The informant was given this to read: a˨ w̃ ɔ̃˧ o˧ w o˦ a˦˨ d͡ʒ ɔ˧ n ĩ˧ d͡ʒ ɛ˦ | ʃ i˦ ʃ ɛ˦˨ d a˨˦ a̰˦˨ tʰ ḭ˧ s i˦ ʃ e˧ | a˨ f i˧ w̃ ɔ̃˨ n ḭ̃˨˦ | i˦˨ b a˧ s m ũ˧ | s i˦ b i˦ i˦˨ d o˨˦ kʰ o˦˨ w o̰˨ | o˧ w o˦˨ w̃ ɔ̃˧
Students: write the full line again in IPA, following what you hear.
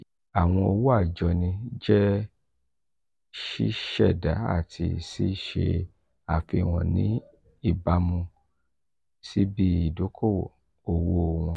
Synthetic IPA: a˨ w̃ ɔ̃˧ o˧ w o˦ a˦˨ d͡ʒ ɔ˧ n ĩ˧ d͡ʒ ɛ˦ | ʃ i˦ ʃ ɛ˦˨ d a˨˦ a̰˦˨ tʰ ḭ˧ s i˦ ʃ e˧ | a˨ f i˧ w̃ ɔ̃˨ n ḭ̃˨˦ | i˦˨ b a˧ m ũ˧ | s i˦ b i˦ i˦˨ d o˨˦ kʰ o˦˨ w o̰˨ | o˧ w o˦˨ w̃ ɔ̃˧